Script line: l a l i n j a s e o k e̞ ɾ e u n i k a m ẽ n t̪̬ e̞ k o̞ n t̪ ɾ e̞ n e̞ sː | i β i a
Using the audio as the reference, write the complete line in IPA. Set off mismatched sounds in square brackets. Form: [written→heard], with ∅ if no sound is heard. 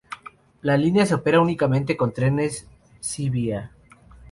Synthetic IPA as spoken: l a l i n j a s e o [k→p] e̞ ɾ [e→a] u n i k a m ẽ n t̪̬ e̞ k o̞ n t̪ ɾ e̞ n e̞ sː | i β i a